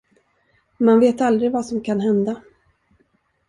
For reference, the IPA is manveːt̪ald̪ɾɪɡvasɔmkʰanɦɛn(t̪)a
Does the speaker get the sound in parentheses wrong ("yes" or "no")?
yes